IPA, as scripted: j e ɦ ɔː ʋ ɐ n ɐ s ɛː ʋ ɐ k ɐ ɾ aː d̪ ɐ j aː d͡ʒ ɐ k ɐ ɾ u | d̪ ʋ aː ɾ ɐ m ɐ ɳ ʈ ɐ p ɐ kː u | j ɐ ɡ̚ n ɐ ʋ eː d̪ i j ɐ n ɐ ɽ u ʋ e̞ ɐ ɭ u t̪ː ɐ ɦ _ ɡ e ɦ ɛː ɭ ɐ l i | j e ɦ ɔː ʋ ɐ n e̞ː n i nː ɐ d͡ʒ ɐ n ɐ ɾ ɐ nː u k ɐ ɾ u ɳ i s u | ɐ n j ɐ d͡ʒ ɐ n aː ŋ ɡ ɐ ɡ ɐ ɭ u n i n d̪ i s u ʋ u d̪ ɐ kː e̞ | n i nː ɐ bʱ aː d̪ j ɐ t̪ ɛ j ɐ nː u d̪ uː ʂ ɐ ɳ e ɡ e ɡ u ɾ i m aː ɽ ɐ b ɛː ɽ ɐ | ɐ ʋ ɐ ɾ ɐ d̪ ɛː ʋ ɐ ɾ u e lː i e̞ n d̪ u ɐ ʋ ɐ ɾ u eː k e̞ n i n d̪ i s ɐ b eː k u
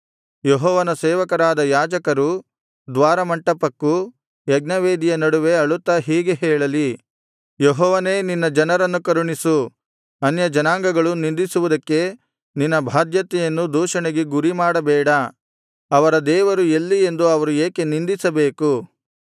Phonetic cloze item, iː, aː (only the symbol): iː